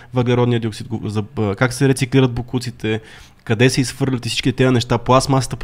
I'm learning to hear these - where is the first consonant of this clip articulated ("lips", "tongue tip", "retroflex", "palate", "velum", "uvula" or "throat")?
lips